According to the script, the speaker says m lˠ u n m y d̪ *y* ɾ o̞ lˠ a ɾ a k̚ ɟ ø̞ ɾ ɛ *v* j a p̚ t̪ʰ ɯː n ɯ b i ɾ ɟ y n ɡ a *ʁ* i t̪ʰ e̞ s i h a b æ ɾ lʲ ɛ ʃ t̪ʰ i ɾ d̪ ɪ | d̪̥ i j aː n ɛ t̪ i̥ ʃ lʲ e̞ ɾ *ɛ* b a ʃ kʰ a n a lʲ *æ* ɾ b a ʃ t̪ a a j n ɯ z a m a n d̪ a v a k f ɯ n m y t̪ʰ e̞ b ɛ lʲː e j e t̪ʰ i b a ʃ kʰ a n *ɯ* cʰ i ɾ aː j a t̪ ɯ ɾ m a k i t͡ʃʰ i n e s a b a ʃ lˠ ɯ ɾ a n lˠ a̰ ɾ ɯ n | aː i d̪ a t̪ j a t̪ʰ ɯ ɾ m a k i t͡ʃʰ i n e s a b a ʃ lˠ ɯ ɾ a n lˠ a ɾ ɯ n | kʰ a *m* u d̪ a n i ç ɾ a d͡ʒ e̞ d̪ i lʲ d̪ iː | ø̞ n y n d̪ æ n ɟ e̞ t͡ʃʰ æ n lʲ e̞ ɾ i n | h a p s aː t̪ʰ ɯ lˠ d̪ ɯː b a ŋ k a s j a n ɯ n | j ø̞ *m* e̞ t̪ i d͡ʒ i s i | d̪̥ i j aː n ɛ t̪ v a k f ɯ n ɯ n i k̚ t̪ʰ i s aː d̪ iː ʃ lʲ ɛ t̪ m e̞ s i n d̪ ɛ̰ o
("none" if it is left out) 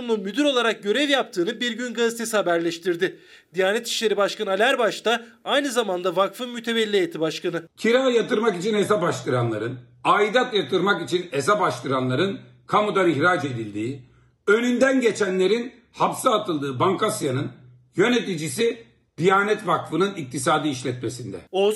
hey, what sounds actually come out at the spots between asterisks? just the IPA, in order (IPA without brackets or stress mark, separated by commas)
y, v, z, i, æ, ɯ, m, n